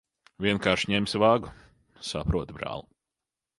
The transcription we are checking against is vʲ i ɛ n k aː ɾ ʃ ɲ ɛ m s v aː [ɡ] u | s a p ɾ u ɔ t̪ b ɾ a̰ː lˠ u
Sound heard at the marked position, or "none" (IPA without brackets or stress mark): ɡ